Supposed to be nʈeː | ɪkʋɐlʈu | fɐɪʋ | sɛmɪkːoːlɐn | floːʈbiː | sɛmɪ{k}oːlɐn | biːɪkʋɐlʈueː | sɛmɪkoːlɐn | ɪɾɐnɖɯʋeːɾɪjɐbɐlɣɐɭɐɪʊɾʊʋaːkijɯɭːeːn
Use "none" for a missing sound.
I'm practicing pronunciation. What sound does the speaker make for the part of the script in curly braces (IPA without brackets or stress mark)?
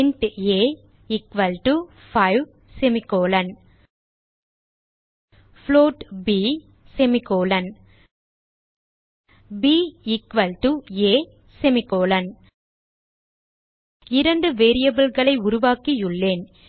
k